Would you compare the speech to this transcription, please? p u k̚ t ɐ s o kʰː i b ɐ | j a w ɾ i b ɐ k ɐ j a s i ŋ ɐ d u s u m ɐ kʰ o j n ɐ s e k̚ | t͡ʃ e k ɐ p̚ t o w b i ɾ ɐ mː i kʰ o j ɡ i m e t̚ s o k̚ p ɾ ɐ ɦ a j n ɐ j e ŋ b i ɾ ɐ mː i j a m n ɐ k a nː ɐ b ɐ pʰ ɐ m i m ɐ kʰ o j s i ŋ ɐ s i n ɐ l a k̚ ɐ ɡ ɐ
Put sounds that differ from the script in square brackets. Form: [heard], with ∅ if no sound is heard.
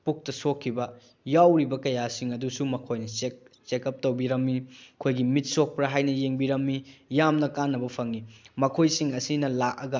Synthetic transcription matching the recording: p u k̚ t ɐ s o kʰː i b ɐ | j a w ɾ i b ɐ k ɐ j a s i ŋ ɐ d u s u m ɐ kʰ o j n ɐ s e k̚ | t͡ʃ e k ɐ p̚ t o w b i ɾ ɐ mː i kʰ o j ɡ i m [i] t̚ s o k̚ p ɾ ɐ ɦ a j n ɐ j e ŋ b i ɾ ɐ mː i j a m n ɐ k a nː ɐ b ɐ pʰ ɐ [ŋ] i m ɐ kʰ o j s i ŋ ɐ s i n ɐ l a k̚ ɐ ɡ ɐ